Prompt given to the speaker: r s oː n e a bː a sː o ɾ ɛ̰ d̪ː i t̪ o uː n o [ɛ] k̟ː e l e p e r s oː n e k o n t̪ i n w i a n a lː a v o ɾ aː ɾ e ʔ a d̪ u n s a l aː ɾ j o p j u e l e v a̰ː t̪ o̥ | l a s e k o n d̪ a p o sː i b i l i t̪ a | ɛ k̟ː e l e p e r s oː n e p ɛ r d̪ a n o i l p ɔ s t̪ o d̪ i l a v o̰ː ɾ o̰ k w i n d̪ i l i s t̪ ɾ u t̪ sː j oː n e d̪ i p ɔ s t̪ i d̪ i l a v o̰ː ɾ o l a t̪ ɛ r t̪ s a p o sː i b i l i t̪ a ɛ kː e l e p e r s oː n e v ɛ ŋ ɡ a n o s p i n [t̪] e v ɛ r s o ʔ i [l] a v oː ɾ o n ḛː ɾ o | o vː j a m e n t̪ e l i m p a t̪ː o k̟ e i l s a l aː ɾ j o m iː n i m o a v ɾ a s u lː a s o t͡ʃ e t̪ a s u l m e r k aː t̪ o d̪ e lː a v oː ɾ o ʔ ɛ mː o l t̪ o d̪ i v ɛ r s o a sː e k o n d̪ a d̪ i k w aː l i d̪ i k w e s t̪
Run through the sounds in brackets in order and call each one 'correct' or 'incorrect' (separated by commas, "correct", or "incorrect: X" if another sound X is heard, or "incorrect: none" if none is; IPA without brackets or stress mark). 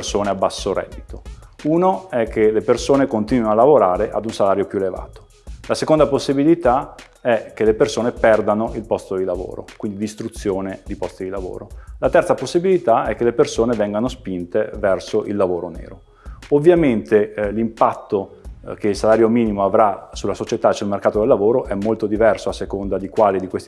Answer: correct, correct, incorrect: lː